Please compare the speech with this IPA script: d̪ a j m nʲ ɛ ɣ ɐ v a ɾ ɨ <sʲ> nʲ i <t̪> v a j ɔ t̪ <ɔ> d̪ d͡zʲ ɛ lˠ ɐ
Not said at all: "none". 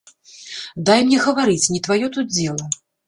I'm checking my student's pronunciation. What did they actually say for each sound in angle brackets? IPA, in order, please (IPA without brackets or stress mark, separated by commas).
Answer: t͡sʲ, t̪, u